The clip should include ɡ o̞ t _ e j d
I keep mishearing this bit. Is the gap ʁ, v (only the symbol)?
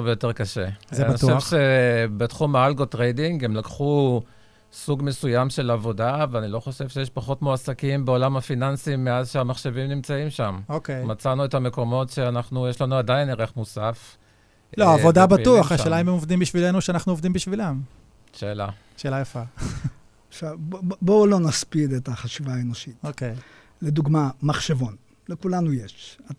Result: ʁ